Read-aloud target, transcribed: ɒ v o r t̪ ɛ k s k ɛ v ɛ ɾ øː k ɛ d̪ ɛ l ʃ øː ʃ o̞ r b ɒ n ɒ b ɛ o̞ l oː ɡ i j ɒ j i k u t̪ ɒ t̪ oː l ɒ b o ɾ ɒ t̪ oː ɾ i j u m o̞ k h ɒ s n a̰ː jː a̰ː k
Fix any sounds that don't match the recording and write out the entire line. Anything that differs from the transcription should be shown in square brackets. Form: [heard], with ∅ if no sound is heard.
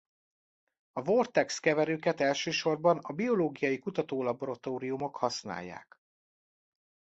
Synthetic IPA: ɒ v o r t̪ ɛ k s k ɛ v ɛ ɾ øː k ɛ [t̪] ɛ l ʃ øː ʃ o̞ r b ɒ n ɒ b [i] o̞ l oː ɡ i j ɒ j i k u t̪ ɒ t̪ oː l ɒ b o ɾ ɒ t̪ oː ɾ i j u m o̞ k h ɒ s n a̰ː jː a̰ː k